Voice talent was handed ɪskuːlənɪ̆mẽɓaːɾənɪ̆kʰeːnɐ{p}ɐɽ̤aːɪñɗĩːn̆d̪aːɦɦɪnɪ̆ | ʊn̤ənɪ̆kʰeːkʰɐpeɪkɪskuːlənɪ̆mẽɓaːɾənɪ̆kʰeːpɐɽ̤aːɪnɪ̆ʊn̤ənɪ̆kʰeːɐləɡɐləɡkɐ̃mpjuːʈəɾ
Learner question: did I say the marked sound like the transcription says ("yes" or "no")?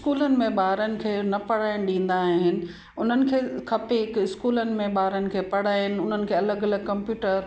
yes